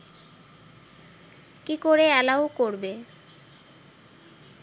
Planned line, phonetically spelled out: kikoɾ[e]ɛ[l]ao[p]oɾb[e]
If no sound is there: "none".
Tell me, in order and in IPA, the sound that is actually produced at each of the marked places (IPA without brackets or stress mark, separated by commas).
e, l, k, e